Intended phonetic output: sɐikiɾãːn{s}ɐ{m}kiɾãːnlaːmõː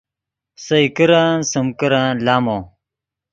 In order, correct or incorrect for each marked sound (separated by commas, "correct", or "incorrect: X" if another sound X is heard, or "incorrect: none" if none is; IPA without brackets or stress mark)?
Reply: correct, correct